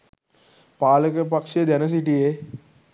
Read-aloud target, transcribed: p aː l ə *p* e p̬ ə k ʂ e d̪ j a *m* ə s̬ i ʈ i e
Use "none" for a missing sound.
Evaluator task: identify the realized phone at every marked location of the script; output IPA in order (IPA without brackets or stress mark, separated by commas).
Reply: k, n